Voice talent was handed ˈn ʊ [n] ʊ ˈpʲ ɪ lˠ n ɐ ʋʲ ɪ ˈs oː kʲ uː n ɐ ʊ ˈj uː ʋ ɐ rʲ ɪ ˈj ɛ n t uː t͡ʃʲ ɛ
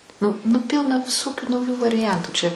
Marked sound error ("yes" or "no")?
no